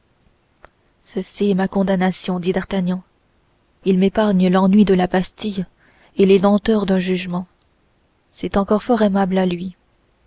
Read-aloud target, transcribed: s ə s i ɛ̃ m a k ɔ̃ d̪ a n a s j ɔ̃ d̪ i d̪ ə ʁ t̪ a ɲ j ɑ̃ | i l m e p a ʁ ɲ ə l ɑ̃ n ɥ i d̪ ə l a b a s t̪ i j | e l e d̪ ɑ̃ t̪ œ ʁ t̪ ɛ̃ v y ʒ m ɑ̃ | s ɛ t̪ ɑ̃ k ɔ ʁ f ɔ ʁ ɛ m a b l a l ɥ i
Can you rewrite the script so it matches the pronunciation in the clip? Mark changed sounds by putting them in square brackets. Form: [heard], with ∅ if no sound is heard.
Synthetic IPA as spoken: s ə s i [ɛ] m a k ɔ̃ d̪ a n a s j ɔ̃ d̪ i d̪ [a] ʁ t̪ a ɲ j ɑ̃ | i l m e p a ʁ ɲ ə l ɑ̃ n ɥ i d̪ ə l a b a s t̪ i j | e l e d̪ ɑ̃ t̪ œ ʁ [d̪] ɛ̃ [ʒ] y ʒ m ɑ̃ | s ɛ t̪ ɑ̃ k ɔ ʁ f ɔ ʁ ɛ m a b l a l ɥ i